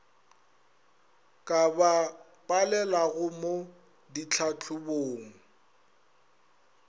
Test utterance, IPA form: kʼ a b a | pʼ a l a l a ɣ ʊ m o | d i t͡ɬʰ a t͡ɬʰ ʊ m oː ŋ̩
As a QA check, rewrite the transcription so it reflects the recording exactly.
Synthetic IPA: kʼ a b a | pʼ a l ɛ l a ɣ ʊ m o | d i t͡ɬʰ a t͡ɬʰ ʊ b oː ŋ̩